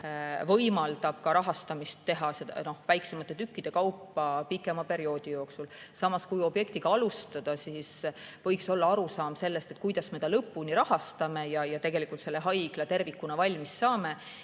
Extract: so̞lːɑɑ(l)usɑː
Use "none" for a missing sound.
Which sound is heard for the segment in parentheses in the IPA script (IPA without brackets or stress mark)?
ɾ